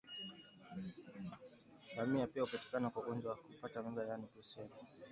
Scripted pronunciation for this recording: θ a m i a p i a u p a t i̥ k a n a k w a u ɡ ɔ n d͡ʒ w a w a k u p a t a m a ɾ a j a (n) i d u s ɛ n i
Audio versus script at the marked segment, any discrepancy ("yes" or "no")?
no